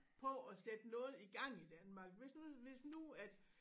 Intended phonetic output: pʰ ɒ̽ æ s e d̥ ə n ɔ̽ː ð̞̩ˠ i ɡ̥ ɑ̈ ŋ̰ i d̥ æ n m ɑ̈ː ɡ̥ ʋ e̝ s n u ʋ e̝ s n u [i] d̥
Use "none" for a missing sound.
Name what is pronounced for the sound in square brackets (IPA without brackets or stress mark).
æ